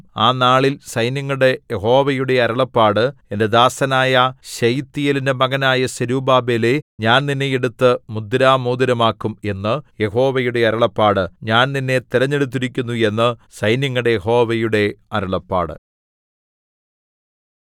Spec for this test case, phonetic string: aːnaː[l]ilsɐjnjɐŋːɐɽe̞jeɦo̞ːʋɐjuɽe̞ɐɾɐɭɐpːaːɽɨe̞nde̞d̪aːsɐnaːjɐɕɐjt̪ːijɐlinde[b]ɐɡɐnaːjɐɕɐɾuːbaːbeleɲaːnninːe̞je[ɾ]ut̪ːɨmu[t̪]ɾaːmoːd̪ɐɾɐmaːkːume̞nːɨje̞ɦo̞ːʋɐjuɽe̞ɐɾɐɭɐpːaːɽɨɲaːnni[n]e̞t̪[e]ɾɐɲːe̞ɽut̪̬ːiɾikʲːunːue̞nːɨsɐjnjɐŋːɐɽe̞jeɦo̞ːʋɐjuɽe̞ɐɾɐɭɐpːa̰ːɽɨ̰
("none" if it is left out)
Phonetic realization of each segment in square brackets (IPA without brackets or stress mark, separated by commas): ɭ, m, ɽ, d̪, nː, i